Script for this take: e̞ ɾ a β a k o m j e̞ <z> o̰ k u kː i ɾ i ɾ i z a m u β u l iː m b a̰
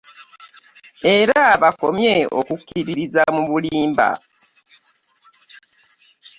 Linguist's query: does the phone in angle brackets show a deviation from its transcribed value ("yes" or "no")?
yes